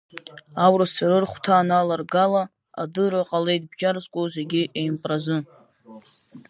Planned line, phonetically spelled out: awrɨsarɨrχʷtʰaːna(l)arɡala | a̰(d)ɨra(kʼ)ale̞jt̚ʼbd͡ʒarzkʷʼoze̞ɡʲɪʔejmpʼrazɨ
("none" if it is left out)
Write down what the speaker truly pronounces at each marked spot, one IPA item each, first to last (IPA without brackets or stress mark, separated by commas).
l, d, qʼ